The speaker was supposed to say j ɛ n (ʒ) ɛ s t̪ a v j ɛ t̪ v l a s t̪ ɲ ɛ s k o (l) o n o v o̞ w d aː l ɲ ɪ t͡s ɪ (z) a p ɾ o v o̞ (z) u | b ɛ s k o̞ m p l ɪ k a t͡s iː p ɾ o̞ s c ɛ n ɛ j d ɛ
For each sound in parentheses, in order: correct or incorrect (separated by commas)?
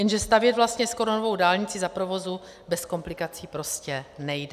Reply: correct, incorrect, correct, correct